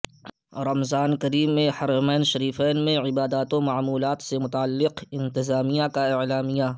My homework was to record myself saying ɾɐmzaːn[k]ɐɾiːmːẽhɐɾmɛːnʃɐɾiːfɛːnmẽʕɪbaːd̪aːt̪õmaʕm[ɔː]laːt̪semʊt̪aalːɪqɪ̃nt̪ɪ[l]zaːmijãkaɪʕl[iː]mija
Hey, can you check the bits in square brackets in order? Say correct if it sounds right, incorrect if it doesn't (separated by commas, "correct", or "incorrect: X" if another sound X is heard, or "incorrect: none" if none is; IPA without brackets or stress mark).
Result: correct, incorrect: uː, incorrect: none, incorrect: aː